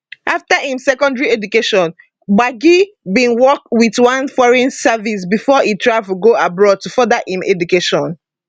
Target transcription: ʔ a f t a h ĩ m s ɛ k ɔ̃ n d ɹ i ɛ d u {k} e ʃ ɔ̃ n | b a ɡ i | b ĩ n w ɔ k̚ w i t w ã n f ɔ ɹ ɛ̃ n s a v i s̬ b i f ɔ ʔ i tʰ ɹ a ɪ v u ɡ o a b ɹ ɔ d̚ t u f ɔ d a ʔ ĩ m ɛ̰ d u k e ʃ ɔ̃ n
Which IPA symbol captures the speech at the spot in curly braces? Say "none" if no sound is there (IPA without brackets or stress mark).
k